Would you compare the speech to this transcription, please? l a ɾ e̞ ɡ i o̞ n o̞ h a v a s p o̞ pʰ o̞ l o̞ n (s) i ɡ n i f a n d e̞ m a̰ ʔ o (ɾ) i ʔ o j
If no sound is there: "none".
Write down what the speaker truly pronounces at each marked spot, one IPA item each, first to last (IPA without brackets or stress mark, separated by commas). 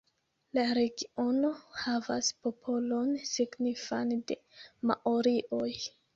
s, ɾ